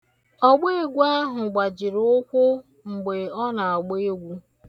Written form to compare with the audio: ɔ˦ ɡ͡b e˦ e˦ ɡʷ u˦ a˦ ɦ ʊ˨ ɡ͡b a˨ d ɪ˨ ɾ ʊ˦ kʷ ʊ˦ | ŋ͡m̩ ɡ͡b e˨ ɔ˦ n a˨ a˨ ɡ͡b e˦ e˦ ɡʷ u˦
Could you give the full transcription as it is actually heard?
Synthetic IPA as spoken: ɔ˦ ɡ͡b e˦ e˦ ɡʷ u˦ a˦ ɦ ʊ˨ ɡ͡b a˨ d͡ʒ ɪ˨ ɾ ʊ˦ kʷ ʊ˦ | ŋ͡m̩ ɡ͡b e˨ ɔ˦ n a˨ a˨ ɡ͡b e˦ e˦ ɡʷ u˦